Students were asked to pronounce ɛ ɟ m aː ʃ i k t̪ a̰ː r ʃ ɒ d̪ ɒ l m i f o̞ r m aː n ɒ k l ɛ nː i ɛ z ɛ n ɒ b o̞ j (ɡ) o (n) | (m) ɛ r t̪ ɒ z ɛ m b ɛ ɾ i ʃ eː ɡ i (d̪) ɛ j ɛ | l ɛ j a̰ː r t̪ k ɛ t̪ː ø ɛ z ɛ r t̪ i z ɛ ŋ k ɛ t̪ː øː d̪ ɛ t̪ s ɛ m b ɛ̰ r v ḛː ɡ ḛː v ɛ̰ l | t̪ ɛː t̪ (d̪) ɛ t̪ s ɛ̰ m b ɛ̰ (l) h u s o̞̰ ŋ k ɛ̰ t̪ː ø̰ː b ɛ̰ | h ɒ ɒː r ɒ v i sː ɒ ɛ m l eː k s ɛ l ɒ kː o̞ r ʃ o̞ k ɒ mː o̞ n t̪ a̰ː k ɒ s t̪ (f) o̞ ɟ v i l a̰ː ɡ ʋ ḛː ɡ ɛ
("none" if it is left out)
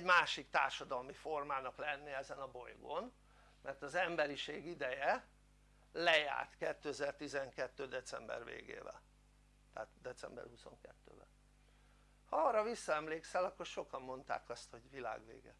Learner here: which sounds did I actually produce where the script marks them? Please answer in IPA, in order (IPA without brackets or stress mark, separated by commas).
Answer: ɡ, n, m, d̪, d̪, r, h